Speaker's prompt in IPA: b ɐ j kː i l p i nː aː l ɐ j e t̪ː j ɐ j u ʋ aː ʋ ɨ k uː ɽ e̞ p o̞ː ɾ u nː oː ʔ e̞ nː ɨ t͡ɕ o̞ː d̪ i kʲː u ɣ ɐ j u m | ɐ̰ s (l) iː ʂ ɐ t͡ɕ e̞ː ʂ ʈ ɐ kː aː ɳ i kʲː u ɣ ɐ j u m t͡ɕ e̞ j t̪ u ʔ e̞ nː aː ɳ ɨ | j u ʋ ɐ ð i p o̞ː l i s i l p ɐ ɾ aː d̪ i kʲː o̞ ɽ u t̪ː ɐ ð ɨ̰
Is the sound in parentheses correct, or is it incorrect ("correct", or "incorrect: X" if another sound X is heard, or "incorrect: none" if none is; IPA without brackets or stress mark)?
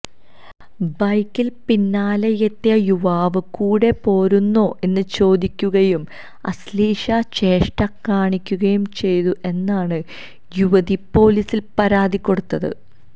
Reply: correct